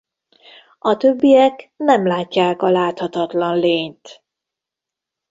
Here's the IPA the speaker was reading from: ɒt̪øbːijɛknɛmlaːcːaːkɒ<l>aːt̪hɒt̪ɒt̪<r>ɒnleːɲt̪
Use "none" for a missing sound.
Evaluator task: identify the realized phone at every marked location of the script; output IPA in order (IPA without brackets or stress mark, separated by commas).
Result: l, l